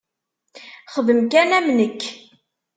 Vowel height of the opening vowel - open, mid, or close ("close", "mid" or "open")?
mid